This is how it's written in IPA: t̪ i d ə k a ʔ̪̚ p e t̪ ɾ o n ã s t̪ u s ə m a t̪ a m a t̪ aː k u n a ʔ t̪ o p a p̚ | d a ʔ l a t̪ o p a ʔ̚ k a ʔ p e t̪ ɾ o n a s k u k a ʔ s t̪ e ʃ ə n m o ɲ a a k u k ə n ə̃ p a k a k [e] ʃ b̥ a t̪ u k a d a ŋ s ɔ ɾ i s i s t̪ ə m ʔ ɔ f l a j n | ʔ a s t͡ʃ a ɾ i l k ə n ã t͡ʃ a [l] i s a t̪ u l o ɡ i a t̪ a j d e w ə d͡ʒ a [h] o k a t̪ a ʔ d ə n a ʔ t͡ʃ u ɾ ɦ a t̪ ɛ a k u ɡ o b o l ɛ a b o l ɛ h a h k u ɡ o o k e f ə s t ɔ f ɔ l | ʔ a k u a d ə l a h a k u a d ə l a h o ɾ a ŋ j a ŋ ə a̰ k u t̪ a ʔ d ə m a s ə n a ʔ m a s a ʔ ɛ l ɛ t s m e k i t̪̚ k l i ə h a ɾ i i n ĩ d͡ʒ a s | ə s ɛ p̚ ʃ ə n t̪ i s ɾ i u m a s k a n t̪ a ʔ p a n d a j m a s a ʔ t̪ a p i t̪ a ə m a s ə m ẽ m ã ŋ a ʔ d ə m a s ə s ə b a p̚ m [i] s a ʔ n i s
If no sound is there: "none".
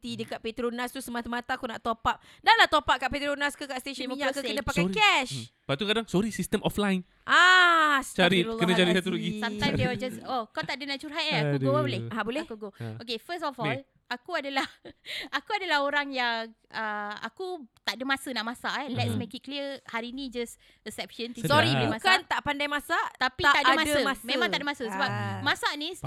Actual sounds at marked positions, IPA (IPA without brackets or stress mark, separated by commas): ɛ, ɾ, s, a